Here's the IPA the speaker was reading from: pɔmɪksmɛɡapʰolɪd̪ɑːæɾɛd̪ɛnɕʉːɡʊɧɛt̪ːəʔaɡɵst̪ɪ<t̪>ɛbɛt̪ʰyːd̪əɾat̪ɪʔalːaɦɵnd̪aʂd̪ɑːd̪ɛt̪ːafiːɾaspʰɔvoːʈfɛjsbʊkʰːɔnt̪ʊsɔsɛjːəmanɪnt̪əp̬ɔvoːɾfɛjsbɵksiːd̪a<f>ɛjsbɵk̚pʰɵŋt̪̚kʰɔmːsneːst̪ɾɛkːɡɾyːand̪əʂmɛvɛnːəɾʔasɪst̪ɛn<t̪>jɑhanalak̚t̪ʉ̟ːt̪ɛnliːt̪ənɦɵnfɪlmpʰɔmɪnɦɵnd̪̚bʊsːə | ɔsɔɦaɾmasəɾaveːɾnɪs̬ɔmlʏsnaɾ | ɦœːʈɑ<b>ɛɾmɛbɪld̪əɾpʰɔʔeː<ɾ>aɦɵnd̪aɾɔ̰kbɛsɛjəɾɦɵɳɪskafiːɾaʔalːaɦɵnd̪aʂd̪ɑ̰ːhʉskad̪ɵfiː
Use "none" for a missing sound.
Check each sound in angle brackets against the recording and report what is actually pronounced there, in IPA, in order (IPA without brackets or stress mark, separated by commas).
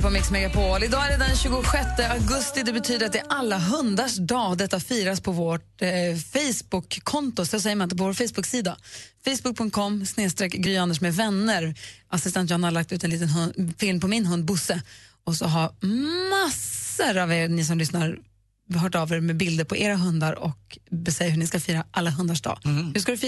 d̪, f, t̪, v, ɾ